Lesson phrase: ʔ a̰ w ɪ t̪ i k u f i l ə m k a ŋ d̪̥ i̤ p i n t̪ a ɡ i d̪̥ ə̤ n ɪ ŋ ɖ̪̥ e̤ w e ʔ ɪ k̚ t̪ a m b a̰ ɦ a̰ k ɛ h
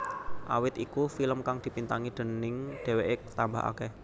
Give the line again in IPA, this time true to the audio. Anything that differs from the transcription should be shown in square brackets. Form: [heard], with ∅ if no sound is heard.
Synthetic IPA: ʔ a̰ w ɪ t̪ i k u f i l ə m k a ŋ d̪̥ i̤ p i n t̪ a [ŋ] i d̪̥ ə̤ n ɪ ŋ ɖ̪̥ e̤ w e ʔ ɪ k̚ t̪ a m b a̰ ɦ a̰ k ɛ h